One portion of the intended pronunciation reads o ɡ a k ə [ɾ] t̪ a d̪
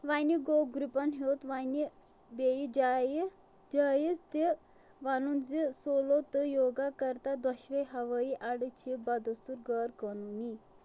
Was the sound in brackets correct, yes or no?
yes